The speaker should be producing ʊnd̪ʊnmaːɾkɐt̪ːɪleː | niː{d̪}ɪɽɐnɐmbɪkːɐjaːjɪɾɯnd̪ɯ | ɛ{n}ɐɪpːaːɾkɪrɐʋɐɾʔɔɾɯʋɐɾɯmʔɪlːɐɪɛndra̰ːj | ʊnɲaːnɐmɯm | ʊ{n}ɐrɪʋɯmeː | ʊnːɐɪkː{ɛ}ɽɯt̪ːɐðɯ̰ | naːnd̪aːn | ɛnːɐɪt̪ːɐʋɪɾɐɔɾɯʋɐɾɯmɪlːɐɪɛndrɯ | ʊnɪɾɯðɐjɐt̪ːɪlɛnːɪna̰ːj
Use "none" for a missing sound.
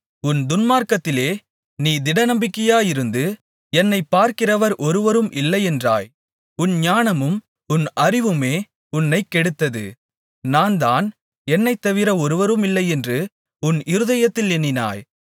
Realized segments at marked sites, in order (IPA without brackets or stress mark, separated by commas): d̪, nː, n, ɛ